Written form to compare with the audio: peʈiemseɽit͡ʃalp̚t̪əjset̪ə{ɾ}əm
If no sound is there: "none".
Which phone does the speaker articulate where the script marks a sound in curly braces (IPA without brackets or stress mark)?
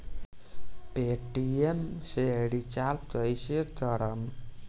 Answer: ɾ